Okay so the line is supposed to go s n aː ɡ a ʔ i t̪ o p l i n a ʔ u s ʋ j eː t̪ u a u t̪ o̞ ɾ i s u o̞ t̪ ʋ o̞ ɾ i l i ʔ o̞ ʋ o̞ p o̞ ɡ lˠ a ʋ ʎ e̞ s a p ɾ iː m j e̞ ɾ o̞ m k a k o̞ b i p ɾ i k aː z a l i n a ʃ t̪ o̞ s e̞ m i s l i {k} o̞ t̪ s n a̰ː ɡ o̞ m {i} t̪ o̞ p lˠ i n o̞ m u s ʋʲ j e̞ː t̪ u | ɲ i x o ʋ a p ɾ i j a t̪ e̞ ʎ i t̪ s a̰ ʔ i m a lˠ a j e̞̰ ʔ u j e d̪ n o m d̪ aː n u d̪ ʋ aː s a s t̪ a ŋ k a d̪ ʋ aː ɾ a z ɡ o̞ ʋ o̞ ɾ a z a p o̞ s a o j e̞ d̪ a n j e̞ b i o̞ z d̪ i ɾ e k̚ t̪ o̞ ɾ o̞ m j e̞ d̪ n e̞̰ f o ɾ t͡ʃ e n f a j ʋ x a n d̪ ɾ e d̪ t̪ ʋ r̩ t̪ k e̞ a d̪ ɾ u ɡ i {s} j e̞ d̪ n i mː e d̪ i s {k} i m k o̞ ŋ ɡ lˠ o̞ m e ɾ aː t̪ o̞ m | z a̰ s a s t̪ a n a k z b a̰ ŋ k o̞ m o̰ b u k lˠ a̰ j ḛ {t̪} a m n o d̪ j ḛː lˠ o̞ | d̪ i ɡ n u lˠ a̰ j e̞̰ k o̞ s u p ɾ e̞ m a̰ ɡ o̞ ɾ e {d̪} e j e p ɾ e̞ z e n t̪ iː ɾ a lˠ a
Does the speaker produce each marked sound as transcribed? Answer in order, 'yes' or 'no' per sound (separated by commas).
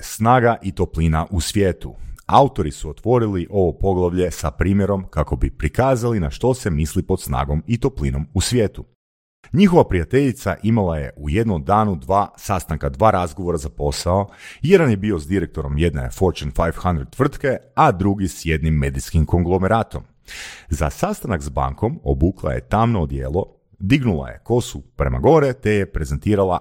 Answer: no, yes, yes, yes, yes, no